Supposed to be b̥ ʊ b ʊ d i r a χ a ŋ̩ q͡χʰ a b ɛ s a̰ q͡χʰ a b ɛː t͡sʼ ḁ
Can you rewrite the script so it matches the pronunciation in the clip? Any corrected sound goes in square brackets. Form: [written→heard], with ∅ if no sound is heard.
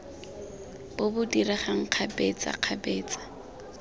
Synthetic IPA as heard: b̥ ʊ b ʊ d i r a χ a ŋ̩ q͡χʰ a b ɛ [s→t͡s] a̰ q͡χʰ a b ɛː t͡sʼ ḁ